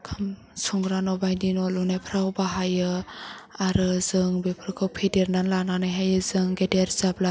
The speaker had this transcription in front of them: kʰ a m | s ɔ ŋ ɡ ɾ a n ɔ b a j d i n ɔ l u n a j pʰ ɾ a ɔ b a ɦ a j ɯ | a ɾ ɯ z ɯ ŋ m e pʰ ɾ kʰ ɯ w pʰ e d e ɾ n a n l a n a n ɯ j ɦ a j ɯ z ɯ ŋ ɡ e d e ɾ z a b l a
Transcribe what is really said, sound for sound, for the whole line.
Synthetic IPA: kʰ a m | s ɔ ŋ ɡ ɾ a n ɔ b a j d i n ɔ l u n a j pʰ ɾ a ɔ b a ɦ a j ɯ | a ɾ ɯ z ɯ ŋ b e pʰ ɾ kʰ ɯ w pʰ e d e ɾ n a n l a n a n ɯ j ɦ a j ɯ z ɯ ŋ ɡ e d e ɾ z a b l a